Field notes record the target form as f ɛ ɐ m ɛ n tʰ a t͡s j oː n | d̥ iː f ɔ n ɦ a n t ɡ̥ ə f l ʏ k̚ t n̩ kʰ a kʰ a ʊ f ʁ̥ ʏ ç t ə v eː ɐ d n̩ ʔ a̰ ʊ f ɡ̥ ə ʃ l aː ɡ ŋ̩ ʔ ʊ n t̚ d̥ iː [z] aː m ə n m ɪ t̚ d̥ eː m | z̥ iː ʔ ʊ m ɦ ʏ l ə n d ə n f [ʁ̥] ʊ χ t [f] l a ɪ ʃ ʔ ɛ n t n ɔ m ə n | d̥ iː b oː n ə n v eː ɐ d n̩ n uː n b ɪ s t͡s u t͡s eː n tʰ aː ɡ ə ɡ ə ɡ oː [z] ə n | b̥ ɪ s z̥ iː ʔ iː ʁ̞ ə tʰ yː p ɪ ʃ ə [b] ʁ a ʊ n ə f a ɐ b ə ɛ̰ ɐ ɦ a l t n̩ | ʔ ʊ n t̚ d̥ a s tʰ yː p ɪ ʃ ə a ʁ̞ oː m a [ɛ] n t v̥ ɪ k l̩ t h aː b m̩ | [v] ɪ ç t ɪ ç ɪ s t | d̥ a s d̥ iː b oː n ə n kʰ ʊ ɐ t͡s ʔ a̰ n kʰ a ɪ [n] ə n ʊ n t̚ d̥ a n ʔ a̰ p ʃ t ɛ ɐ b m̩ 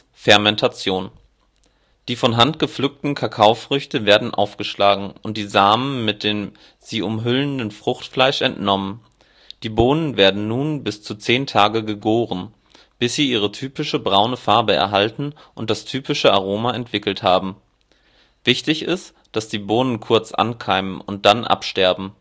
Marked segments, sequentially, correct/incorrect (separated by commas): correct, correct, correct, incorrect, correct, correct, correct, incorrect